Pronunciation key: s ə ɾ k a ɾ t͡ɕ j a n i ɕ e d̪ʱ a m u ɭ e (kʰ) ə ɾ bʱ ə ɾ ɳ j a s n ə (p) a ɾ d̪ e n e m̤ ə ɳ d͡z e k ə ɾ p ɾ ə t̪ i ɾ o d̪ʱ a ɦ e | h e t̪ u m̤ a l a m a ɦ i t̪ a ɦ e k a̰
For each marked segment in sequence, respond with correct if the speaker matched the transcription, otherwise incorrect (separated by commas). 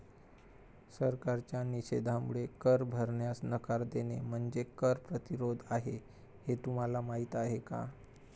incorrect, incorrect